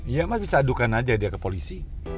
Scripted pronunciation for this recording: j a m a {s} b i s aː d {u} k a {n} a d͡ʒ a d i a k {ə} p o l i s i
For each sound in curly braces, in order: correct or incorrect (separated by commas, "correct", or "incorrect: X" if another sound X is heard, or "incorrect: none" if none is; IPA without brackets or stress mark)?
correct, correct, correct, correct